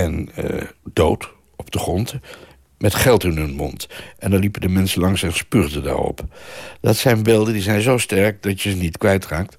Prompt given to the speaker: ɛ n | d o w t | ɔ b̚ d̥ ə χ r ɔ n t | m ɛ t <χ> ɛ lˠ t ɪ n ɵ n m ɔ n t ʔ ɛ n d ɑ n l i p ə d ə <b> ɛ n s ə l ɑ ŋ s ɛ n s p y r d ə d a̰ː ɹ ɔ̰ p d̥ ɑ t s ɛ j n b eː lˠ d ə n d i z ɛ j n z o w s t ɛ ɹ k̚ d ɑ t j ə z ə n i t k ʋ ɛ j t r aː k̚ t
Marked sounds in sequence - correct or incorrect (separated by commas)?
correct, incorrect